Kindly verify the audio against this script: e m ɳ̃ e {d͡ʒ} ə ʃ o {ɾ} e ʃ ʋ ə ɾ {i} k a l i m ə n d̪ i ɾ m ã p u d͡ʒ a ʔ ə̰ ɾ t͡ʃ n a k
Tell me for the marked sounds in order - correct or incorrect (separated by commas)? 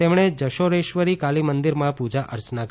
correct, correct, correct